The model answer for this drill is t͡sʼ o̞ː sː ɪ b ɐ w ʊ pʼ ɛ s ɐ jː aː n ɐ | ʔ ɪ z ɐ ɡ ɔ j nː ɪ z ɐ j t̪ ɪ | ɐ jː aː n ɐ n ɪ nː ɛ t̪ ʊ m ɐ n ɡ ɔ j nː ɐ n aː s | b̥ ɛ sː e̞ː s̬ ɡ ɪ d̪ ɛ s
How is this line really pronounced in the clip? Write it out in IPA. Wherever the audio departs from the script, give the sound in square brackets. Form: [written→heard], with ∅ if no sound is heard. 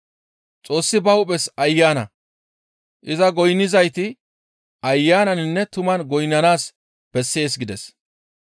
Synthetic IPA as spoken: t͡sʼ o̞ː sː ɪ b ɐ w ʊ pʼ ɛ s ɐ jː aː n ɐ | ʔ ɪ z ɐ ɡ ɔ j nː ɪ z ɐ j t̪ ɪ | ɐ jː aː n ɐ n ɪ nː ɛ t̪ ʊ m ɐ n ɡ ɔ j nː ɐ n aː s | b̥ ɛ sː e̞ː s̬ ɡ ɪ d̪ ɛ s